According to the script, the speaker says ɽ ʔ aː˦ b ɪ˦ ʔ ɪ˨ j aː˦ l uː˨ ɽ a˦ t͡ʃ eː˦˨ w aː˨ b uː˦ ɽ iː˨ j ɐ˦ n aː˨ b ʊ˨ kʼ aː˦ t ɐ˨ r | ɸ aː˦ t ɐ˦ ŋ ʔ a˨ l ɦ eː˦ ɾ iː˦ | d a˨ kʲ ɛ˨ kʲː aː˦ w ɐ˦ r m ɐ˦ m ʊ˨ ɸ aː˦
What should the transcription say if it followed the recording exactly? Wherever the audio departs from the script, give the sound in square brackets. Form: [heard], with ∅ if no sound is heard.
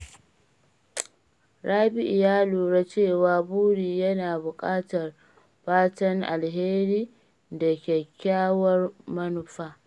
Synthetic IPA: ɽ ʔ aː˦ b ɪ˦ ʔ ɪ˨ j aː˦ l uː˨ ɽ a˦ t͡ʃ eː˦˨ w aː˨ b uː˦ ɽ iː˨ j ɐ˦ n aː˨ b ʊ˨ kʼ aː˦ t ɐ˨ r | ɸ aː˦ t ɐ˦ ŋ ʔ a˨ l ɦ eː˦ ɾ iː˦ | d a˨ kʲ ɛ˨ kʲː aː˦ w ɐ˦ r m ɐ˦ [n] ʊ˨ ɸ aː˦